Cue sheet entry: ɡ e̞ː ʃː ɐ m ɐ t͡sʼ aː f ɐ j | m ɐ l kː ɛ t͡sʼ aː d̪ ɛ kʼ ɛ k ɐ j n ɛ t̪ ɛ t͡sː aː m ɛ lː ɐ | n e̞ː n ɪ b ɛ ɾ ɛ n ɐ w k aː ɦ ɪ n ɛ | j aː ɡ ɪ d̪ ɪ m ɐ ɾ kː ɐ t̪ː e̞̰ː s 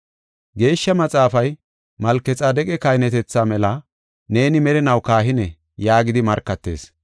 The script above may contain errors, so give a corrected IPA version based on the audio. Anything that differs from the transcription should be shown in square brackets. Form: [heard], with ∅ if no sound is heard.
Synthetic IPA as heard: ɡ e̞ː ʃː ɐ m ɐ t͡sʼ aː f ɐ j | m ɐ l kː ɛ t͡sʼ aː d̪ ɛ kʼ ɛ k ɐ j n ɛ t̪ ɛ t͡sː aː m ɛ [l] ɐ | n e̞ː n ɪ [m] ɛ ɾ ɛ n ɐ w k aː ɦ ɪ n ɛ | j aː ɡ ɪ d̪ ɪ m ɐ ɾ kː ɐ t̪ː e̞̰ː s